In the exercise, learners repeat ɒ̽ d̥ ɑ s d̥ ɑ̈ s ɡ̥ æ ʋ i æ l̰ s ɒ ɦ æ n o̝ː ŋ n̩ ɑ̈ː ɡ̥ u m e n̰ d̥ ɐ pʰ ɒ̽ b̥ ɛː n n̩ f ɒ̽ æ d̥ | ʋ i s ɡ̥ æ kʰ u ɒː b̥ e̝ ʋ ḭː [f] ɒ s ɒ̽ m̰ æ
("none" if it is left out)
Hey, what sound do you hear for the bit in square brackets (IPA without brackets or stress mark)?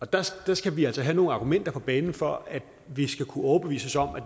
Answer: s